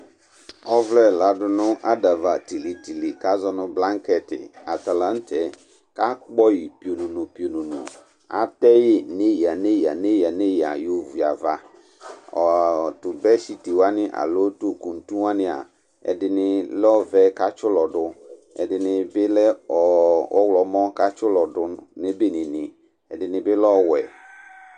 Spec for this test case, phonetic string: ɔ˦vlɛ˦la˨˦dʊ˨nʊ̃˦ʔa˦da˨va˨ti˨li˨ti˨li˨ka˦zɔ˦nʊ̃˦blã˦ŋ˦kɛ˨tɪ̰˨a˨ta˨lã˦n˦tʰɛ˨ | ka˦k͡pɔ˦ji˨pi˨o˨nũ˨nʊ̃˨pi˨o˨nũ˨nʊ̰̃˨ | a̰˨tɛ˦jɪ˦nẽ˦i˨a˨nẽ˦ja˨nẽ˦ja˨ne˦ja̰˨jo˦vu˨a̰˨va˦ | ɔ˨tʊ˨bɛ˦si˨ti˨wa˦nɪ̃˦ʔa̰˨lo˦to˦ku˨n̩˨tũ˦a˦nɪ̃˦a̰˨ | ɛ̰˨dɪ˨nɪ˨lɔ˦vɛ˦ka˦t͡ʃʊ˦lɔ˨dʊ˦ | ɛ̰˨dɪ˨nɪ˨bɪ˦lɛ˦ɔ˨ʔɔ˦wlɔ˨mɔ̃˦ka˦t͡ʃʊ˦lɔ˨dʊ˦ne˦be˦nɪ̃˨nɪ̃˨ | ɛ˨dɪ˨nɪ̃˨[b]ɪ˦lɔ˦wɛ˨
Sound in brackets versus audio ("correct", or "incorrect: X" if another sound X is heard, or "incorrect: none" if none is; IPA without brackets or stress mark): correct